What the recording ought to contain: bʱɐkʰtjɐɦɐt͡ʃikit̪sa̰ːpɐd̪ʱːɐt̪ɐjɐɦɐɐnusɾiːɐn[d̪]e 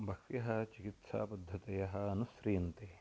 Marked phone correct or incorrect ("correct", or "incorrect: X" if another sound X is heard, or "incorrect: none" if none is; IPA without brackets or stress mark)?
incorrect: t̪